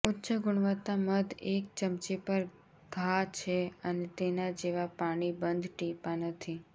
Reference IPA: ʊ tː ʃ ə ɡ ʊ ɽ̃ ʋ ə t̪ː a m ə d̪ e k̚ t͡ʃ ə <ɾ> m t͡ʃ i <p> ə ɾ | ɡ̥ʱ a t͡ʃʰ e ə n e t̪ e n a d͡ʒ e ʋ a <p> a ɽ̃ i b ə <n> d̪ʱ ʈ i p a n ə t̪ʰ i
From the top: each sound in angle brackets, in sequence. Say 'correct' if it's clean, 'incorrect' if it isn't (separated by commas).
incorrect, correct, correct, correct